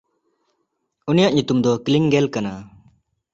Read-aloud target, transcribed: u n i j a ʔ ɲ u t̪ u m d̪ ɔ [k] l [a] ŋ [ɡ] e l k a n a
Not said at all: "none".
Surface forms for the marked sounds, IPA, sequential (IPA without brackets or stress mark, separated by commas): k, i, ɡ